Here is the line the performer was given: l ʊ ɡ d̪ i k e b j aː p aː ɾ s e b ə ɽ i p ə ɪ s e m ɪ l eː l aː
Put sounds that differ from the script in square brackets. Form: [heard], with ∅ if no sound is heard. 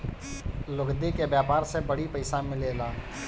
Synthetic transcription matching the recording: l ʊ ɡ d̪ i k e b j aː p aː ɾ s e b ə ɽ i p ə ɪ s [a] m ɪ l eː l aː